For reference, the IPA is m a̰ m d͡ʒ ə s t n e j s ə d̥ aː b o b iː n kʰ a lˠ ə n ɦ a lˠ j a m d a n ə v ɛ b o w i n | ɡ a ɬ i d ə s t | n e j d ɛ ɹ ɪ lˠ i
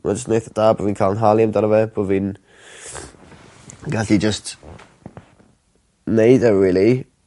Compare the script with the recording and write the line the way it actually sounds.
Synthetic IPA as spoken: m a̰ d͡ʒ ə s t n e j θ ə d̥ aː b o v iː n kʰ a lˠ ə n ɦ a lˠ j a m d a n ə v ɛ b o v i n | ɡ a ɬ i d͡ʒ ə s t | n e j d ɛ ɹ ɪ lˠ i